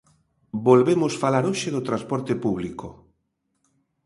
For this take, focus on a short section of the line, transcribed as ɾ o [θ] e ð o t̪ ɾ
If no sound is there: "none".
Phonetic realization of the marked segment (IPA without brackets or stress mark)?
ʃ